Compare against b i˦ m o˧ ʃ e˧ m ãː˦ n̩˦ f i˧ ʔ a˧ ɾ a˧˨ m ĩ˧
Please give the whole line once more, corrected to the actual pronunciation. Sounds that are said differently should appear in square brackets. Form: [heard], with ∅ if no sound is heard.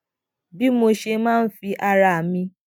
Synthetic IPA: b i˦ m o˧ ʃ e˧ m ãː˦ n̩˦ f i˧ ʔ a˧ ɾ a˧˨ m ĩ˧